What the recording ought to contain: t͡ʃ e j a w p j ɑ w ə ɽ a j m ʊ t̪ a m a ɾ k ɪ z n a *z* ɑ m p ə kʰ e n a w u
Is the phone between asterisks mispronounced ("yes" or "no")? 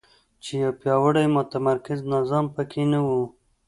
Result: no